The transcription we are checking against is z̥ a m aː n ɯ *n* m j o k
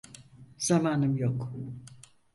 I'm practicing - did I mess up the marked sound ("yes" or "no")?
yes